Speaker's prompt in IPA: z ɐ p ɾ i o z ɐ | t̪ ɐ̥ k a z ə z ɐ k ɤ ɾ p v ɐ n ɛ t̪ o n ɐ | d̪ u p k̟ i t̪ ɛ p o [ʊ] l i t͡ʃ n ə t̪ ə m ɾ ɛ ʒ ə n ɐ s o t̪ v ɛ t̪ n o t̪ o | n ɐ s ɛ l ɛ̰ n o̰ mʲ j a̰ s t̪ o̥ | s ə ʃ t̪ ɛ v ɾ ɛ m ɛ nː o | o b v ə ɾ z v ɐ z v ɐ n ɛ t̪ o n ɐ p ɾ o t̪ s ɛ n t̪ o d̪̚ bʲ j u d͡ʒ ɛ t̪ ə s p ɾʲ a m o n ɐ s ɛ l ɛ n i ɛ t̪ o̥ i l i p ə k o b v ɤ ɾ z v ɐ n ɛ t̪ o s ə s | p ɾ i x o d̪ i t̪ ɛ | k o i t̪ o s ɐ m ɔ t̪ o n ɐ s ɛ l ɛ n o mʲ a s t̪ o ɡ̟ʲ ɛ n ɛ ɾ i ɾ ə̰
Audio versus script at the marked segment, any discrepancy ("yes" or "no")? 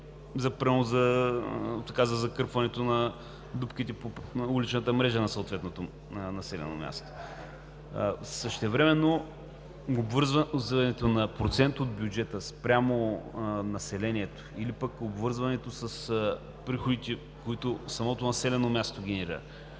yes